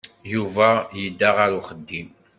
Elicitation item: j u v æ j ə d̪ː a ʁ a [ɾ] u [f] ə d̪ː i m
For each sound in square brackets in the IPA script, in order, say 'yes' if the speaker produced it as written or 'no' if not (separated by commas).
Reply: yes, no